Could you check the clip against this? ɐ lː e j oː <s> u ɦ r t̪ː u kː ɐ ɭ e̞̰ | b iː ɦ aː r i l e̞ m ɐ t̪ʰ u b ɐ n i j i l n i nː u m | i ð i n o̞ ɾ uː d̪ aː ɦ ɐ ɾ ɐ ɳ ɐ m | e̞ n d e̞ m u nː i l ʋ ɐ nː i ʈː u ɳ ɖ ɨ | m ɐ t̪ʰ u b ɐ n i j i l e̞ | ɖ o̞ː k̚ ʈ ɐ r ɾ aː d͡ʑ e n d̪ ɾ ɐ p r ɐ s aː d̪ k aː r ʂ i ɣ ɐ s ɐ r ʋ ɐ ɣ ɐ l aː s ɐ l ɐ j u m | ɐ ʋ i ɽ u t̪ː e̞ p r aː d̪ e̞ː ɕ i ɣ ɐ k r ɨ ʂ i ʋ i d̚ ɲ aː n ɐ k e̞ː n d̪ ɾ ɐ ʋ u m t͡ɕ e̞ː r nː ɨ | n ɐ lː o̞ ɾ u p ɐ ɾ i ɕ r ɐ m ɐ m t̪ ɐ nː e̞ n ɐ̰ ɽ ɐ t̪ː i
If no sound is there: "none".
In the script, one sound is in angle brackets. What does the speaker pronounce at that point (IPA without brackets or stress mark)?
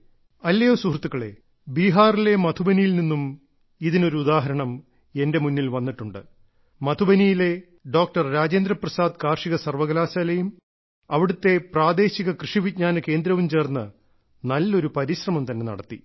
s